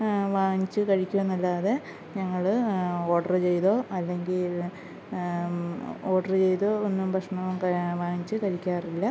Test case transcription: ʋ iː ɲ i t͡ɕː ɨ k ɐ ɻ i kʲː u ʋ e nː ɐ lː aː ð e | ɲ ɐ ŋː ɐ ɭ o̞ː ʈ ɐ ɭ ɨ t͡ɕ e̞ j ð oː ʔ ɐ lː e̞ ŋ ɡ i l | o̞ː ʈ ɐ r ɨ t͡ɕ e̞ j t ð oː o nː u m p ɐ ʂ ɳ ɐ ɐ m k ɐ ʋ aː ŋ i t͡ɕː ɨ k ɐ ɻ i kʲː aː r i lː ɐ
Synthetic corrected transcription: ʋ aː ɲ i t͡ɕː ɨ k ɐ ɻ i kʲː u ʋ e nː ɐ lː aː ð e | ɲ ɐ ŋː ɐ ɭ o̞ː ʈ ɐ r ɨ t͡ɕ e̞ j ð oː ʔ ɐ lː e̞ ŋ ɡ i l | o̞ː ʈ ɐ r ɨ t͡ɕ e̞ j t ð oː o nː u m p ɐ ʂ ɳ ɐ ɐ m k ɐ ʋ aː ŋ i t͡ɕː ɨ k ɐ ɻ i kʲː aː r i lː ɐ

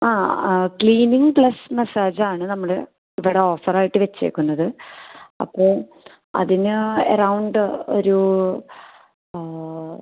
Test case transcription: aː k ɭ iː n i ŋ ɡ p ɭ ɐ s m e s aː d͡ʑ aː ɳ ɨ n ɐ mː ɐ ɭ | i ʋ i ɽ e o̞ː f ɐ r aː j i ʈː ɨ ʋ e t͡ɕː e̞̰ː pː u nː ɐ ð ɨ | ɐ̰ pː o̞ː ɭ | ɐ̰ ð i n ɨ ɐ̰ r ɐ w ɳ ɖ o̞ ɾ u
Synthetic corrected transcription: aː k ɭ iː n i ŋ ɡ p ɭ ɐ s m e s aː d͡ʑ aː ɳ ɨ n ɐ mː ɐ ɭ | i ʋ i ɽ e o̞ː f ɐ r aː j i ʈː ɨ ʋ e t͡ɕː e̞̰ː kː u nː ɐ ð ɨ | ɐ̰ pː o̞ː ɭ | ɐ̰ ð i n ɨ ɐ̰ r ɐ w ɳ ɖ o̞ ɾ u

